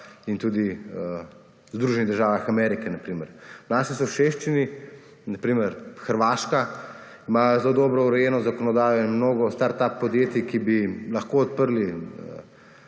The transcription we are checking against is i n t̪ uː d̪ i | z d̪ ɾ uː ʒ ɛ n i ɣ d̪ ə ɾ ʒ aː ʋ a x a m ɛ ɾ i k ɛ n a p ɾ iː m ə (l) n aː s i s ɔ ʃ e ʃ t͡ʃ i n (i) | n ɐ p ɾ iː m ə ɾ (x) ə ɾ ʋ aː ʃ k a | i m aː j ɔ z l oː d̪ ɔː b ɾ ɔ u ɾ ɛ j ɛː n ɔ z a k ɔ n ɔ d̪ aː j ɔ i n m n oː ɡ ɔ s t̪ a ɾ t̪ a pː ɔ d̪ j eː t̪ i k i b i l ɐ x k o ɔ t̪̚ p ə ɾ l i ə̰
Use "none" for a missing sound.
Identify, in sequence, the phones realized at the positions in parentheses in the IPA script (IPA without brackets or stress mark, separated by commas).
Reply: ɾ, i, x